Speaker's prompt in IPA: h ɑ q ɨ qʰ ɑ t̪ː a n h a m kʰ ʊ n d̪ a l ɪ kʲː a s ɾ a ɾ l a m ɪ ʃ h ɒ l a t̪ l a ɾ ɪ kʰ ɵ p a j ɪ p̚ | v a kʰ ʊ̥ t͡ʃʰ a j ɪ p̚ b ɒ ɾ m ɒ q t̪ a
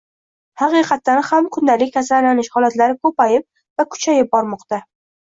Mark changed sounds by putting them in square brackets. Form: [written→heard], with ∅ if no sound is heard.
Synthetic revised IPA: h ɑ q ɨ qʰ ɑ t̪ː a n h a m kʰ ʊ n d̪ a l ɪ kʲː a s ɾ a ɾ l a [m→n] ɪ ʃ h ɒ l a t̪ l a ɾ ɪ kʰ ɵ p a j ɪ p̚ | v a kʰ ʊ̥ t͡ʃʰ a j ɪ p̚ b ɒ ɾ m ɒ q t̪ a